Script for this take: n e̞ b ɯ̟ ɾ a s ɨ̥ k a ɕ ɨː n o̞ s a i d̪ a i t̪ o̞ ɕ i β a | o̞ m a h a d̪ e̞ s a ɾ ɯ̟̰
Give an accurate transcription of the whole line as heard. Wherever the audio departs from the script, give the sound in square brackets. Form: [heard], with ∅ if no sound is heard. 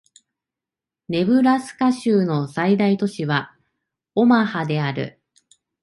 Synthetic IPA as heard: n e̞ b ɯ̟ ɾ a s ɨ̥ k a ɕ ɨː n o̞ s a i d̪ a i t̪ o̞ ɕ i β a | o̞ m a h a d̪ e̞ [∅] a ɾ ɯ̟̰

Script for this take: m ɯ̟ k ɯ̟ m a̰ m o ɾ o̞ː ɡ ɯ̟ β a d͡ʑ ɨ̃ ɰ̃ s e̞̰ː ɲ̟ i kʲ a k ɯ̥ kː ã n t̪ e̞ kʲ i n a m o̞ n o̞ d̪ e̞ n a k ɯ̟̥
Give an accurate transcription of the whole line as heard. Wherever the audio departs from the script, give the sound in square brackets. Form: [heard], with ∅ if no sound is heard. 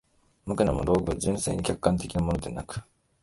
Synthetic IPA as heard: m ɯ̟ k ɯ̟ [n] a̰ m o ɾ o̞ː ɡ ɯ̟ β a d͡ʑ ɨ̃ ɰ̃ s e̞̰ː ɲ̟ i kʲ a k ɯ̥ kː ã n t̪ e̞ kʲ i n a m o̞ n o̞ d̪ e̞ n a k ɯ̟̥

